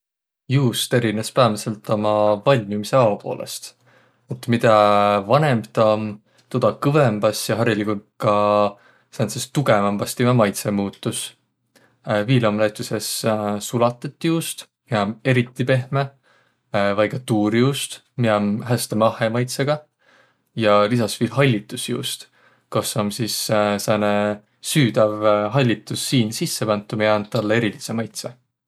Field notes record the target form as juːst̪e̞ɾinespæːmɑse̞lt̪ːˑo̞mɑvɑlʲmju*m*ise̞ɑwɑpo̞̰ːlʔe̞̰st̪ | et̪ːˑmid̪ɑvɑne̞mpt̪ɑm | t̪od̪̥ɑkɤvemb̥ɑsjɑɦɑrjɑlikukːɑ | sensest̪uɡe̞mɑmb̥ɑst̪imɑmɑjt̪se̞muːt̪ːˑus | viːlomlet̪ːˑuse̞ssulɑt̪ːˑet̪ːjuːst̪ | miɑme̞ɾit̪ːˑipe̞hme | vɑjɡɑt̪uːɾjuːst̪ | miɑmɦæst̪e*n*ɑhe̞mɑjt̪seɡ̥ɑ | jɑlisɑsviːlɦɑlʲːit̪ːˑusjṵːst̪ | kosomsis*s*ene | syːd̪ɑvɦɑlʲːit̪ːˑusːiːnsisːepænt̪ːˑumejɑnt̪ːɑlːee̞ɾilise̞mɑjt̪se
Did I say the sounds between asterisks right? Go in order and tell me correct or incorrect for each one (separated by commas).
correct, incorrect, correct